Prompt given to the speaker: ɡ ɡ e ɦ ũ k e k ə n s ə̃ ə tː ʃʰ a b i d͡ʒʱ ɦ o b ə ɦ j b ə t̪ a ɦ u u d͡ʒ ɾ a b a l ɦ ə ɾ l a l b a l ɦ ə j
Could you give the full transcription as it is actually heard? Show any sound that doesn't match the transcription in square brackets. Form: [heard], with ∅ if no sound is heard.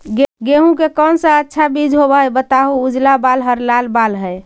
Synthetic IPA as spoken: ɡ ɡ e ɦ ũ k e k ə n s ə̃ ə tː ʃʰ a b i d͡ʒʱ ɦ o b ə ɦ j b ə t̪ a ɦ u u d͡ʒ [l] a b a l ɦ ə ɾ l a l b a l ɦ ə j

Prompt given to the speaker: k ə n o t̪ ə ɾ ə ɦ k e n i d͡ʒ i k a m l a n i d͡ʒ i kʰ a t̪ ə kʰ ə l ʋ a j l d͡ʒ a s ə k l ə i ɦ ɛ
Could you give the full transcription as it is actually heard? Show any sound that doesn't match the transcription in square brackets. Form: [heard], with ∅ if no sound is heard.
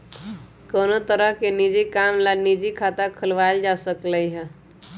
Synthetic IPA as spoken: k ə n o t̪ ə ɾ ə ɦ k e n i d͡ʒ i k a m l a n i d͡ʒ i kʰ a t̪ [a] kʰ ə l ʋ a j l d͡ʒ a s ə k l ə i ɦ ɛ

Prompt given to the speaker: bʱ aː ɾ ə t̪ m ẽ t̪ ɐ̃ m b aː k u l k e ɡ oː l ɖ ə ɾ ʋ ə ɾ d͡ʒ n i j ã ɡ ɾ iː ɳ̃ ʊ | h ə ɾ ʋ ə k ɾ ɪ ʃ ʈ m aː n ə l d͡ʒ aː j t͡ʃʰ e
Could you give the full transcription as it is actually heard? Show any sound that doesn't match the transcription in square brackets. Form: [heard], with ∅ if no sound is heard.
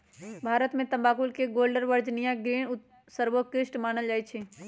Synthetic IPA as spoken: bʱ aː ɾ ə t̪ m ẽ t̪ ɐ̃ m b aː k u l k e ɡ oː l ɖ ə ɾ ʋ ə ɾ d͡ʒ n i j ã ɡ ɾ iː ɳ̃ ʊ | [s] ə ɾ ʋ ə k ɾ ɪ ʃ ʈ m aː n ə l d͡ʒ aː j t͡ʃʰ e

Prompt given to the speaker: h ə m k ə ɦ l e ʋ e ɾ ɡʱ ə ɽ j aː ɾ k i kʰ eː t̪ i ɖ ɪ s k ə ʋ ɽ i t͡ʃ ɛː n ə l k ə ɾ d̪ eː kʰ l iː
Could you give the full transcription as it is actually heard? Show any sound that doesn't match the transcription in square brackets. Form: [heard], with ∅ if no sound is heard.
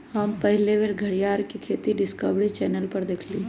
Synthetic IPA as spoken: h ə m [p] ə ɦ l e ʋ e ɾ ɡʱ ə ɽ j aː ɾ k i kʰ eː t̪ i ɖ ɪ s k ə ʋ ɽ i t͡ʃ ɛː n ə l [p] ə ɾ d̪ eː kʰ l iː

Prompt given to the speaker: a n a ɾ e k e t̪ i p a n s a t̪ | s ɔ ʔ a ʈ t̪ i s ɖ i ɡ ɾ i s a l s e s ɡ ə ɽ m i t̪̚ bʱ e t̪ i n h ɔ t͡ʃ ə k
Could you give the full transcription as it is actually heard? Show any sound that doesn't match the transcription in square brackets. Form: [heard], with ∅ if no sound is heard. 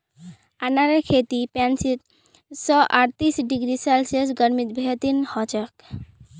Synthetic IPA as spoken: a n a ɾ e [kʰ] e t̪ i p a n s [i] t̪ | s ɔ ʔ a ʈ t̪ i s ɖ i ɡ ɾ i s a l s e s ɡ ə [ɾ] m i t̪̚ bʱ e t̪ i n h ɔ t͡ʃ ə k

